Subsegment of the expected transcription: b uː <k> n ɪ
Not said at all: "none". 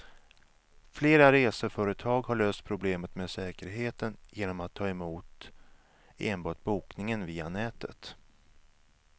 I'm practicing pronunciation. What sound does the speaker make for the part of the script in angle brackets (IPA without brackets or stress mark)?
k